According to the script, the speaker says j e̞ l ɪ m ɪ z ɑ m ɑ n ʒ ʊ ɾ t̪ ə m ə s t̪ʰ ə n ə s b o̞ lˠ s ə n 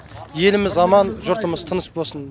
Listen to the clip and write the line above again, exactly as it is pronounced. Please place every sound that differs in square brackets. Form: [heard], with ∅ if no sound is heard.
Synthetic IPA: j e̞ l ɪ m ɪ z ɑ m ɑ n ʒ ʊ ɾ t̪ ə m ə [z] t̪ʰ ə n ə s b o̞ lˠ s ə n